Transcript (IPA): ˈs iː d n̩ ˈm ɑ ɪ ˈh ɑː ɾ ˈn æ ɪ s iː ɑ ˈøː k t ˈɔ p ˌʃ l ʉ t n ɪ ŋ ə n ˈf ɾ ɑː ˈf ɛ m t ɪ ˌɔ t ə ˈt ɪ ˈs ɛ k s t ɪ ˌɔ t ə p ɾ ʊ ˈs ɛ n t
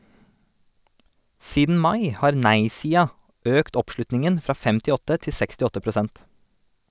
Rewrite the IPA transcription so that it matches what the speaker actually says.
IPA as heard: ˈs iː d n̩ ˈm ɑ ɪ ˈh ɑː ɾ ˈn æ ɪ s iː ɑ ˈøː k t ˈɔ p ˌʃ l ʉ t n ɪ ŋ ə n ˈf ɾ ɑː ˈf ɛ m t ɪ ˌɔ t ə ˈt ɪ ˈs ɛ k s t ɪ ˌɔ t ə p ɾ ʊ ˈs ɛ n t